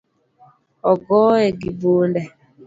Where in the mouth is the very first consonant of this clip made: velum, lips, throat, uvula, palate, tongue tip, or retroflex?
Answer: velum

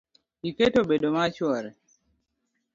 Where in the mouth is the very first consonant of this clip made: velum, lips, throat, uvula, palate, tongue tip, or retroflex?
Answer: velum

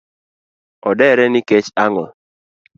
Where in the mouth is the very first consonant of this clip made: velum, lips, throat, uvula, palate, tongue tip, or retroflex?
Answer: tongue tip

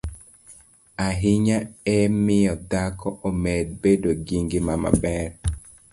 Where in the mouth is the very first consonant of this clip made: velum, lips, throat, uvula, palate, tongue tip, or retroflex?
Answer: throat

